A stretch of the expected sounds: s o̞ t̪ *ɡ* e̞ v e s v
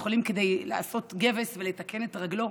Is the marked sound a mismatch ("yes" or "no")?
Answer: no